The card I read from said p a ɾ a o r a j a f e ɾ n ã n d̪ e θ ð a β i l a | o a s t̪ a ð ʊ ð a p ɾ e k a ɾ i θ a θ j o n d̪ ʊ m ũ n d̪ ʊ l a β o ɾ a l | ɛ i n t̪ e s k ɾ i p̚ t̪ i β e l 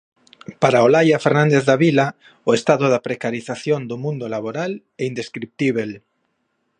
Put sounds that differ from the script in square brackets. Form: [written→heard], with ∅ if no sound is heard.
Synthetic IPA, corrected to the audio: p a ɾ a o [r→l] a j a f e ɾ n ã n d̪ e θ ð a β i l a | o [a→e] s t̪ a ð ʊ ð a p ɾ e k a ɾ i θ a θ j o n d̪ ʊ m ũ n d̪ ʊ l a β o ɾ a l | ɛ i n [t̪→d̪] e s k ɾ i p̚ t̪ i β e l

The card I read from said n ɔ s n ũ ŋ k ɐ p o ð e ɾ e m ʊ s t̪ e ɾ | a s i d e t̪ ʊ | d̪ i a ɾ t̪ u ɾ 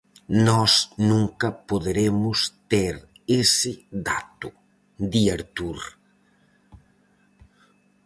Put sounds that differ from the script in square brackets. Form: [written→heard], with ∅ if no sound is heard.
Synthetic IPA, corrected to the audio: n ɔ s n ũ ŋ k ɐ p o ð e ɾ e m ʊ s t̪ e ɾ | [a→e] s [i→ɪ] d [e→a] t̪ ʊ | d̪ i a ɾ t̪ u ɾ

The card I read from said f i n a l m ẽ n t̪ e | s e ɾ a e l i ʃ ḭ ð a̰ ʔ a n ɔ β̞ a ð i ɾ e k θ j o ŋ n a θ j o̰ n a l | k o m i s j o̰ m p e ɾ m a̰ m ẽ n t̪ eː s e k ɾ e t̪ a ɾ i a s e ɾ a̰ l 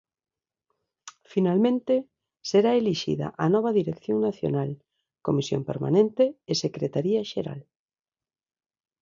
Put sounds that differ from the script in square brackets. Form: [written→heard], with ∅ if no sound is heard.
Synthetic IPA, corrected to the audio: f i n a l m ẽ n t̪ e | s e ɾ a e l i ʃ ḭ ð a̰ ʔ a n ɔ β̞ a ð i ɾ e k θ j o ŋ n a θ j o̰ n a l | k o m i s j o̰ m p e ɾ m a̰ [m→n] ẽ n t̪ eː s e k ɾ e t̪ a ɾ i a [s→ʃ] e ɾ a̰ l

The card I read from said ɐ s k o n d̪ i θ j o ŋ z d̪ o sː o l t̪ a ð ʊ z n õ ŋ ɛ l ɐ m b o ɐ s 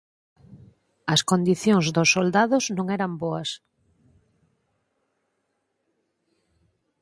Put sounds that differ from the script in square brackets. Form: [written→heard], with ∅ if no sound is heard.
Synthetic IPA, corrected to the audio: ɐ s k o n d̪ i θ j o ŋ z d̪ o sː o l [t̪→d̪] a ð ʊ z n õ ŋ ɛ [l→ɾ] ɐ m b o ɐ s

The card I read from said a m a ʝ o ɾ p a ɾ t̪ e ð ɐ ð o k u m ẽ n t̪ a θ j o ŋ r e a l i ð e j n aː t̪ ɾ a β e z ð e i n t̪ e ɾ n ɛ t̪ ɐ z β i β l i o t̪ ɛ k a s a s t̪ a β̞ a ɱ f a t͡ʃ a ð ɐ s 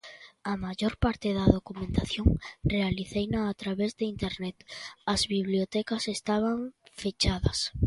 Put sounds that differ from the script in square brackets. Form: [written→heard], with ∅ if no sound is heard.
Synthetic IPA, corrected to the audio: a m a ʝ o ɾ p a ɾ t̪ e ð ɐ ð o k u m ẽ n t̪ a θ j o ŋ r e a l i [ð→θ] e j n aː t̪ ɾ a β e z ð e i n t̪ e ɾ n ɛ t̪ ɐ z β i β l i o t̪ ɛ k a s [a→e] s t̪ a β̞ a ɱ f [a→e] t͡ʃ a ð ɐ s

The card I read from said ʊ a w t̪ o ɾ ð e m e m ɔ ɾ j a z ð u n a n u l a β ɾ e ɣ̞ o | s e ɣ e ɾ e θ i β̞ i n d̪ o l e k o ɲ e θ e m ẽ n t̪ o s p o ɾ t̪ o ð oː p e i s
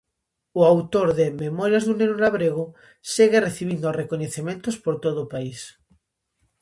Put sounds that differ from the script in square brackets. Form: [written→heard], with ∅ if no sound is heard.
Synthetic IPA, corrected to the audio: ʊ a w t̪ o ɾ ð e m e m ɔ ɾ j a z ð u n [a→e] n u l a β ɾ e ɣ̞ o | s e ɣ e [ɾ→r] e θ i β̞ i n d̪ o [l→r] e k o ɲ e θ e m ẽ n t̪ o s p o ɾ t̪ o ð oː p [e→a] i s

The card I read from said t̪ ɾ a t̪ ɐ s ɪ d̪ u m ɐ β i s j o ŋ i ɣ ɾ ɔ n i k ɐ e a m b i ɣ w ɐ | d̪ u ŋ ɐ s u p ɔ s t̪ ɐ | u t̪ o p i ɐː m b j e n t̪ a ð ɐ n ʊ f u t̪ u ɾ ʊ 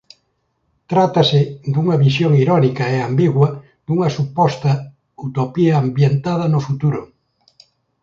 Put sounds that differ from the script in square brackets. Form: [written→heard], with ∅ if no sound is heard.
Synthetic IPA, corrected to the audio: t̪ ɾ a t̪ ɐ s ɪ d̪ u [m→ŋ] ɐ β i s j o ŋ i [ɣ→∅] ɾ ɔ n i k ɐ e a m b i ɣ w ɐ | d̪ u ŋ ɐ s u p ɔ s t̪ ɐ | u t̪ o p i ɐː m b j e n t̪ a ð ɐ n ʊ f u t̪ u ɾ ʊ

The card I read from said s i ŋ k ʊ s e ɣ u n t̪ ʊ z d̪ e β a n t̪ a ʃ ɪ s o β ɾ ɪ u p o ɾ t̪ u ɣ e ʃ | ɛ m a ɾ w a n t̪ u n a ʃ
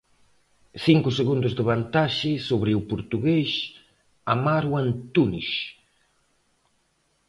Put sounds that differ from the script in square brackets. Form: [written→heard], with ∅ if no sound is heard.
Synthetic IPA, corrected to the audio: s i ŋ k ʊ s e ɣ u n [t̪→d̪] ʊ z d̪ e β a n t̪ a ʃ ɪ s o β ɾ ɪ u p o ɾ t̪ u ɣ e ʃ | [ɛ→a] m a ɾ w a n t̪ u n [a→i] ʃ

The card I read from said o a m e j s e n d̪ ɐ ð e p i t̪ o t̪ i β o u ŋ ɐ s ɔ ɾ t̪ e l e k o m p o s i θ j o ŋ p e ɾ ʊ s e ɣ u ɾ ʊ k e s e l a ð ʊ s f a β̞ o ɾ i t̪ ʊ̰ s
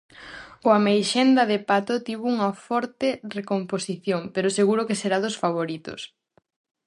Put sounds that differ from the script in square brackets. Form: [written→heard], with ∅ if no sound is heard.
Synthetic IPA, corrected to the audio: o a m e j [s→ʃ] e n d̪ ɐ ð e p [i→a] t̪ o t̪ i β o u ŋ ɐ [s→f] ɔ ɾ t̪ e [l→r] e k o m p o s i θ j o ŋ p e ɾ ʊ s e ɣ u ɾ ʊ k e s e [l→ɾ] a ð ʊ s f a β̞ o ɾ i t̪ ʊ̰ s

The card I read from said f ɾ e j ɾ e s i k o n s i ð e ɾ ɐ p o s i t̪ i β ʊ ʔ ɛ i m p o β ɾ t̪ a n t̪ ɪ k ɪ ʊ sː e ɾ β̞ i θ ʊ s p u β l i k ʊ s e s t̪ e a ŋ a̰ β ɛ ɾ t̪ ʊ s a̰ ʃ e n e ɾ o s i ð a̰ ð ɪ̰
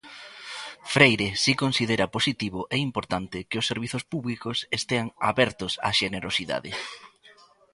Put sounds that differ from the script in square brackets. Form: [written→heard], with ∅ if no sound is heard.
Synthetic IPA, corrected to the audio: f ɾ e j ɾ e s i k o n s i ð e ɾ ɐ p o s i t̪ i β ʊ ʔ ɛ i m p o [β→∅] ɾ t̪ a n t̪ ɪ k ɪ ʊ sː e ɾ β̞ i θ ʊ s p u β l i k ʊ s e s t̪ e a ŋ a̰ β ɛ ɾ t̪ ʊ s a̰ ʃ e n e ɾ o s i ð a̰ ð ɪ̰

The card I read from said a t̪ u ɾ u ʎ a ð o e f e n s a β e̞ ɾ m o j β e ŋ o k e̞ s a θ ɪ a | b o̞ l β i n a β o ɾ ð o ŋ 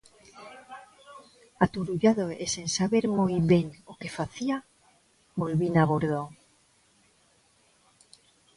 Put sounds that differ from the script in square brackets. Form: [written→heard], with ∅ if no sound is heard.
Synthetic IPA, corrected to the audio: a t̪ u ɾ u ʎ a ð o e [f→s] e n s a β e̞ ɾ m o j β e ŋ o k e̞ [s→f] a θ [ɪ→i] a | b o̞ l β i n a β o ɾ ð o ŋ

